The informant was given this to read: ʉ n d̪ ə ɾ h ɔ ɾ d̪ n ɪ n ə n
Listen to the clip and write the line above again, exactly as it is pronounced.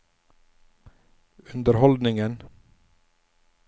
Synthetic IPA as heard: ʉ n d̪ ə ɾ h ɔ l d̪ n ɪ ŋ ə n